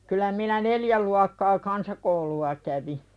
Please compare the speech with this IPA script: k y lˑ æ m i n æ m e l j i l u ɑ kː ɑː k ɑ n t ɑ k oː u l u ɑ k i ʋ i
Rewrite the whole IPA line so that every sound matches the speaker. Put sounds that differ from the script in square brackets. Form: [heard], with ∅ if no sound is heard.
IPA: k y lˑ æ m i n æ [n] e l j [æ] l u ɑ kː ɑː k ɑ n [s] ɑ k [o] u l u ɑ k [æ] ʋ i